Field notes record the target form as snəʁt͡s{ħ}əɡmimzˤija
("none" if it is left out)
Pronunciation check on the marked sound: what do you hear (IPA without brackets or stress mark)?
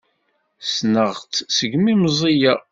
s